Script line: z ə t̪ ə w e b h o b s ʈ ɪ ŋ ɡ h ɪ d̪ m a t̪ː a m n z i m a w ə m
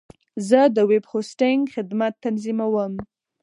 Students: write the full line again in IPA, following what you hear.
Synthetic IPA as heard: z ə d̪ ə w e b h o s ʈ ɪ ŋ ɡ x ɪ d̪ m a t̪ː a n z i m a w ə m